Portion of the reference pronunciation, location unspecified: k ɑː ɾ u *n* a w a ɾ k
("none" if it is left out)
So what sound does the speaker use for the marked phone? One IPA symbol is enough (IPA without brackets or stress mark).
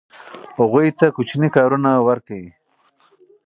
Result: n